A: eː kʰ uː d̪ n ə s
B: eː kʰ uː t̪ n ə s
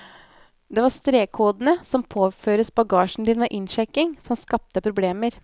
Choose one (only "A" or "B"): A